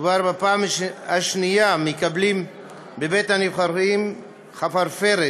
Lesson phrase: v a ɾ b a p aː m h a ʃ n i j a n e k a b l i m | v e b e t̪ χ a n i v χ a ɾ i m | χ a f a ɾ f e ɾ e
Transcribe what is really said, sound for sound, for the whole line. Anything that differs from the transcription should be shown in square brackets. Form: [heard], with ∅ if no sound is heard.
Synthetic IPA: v a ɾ b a p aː m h a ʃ n i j a [m] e k a b l i m | [b] e b e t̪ [h] a n i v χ a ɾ i m | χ a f a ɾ f e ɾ e